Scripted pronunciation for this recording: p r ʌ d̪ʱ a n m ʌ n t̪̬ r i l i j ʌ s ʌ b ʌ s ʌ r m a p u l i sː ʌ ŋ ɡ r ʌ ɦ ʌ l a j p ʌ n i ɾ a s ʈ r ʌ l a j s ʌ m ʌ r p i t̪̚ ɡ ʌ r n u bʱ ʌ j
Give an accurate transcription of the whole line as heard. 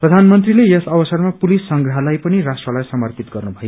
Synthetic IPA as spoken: p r ʌ d̪ʱ a n m ʌ n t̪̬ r i l e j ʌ s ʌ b ʌ s ʌ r m a p u l i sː ʌ ŋ ɡ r ʌ ɦ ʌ l a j p ʌ n i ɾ a s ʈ r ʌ l a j s ʌ m ʌ r p i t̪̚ ɡ ʌ r n u bʱ ʌ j